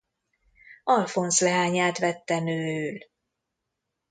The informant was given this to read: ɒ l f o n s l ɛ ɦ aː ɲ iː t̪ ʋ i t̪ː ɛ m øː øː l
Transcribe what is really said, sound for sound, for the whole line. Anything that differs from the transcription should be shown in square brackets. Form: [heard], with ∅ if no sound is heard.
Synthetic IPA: ɒ l f o n s l ɛ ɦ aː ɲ [aː] t̪ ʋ [ɛ] t̪ː ɛ [n] øː øː l